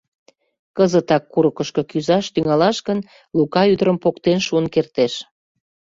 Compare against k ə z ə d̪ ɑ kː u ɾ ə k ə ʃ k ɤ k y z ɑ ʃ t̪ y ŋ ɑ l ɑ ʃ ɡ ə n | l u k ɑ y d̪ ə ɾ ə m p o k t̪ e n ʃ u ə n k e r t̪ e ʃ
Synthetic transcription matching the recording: k ə z ə t̪ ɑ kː u ɾ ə k ə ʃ k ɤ k y z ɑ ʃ t̪ y ŋ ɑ l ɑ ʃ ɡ ə n | l u k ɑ y d̪ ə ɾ ə m p o k t̪ e n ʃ u ə n k e r t̪ e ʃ